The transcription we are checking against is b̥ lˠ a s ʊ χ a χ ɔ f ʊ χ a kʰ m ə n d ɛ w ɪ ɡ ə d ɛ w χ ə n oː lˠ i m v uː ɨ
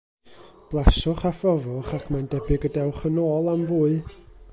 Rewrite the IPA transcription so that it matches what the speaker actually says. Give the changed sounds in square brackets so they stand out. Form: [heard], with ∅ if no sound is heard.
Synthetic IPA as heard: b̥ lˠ a s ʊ χ a [f] ɔ [v] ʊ χ a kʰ m [a] n d ɛ [b] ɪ ɡ ə d ɛ w χ ə n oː lˠ [a] m v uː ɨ